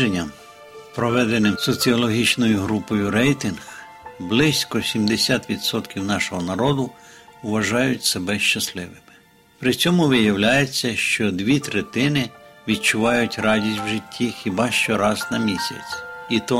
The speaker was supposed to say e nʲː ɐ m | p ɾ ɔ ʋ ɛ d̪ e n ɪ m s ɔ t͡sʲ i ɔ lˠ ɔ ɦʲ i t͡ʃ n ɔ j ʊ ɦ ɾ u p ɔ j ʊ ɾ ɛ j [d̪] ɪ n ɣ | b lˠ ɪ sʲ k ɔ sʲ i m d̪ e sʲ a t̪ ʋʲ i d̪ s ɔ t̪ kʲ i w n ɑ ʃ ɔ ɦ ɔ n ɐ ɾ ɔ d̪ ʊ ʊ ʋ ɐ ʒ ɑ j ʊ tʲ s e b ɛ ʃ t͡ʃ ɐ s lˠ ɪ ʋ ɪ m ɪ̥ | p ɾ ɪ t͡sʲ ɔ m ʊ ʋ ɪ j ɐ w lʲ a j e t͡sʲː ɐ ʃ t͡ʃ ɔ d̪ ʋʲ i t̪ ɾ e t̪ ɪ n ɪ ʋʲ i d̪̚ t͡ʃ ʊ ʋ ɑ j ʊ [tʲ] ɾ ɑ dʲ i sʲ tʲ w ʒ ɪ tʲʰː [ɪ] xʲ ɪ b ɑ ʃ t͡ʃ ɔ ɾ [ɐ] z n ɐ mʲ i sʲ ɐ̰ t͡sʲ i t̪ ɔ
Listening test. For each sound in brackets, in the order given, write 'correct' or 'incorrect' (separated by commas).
incorrect, correct, incorrect, incorrect